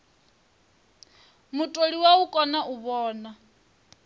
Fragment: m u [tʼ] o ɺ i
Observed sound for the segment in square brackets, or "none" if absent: tʼ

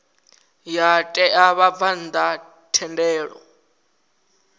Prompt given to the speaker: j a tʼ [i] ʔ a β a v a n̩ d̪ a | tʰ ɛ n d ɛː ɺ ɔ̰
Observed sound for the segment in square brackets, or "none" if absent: ɛ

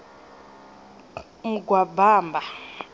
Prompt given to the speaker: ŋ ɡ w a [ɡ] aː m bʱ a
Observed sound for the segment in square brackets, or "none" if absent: b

